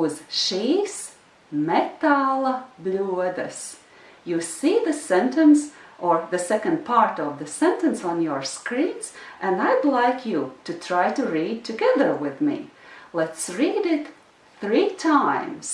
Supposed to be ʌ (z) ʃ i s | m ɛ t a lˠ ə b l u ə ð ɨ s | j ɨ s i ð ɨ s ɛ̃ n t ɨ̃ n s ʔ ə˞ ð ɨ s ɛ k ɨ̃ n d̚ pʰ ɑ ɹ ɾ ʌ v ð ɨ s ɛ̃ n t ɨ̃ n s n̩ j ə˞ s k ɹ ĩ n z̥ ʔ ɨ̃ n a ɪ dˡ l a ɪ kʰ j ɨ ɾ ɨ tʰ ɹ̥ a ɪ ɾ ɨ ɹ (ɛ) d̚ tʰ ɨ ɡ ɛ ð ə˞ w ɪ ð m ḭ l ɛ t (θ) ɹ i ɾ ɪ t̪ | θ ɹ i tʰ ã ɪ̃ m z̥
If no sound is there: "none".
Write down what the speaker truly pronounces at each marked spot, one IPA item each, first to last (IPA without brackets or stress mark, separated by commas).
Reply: z, i, s